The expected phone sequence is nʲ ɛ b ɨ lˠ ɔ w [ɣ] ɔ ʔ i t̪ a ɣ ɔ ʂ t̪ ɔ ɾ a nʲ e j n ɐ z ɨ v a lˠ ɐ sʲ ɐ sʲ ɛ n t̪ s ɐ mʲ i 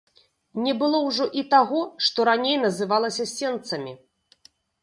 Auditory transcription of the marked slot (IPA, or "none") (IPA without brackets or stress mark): ʐ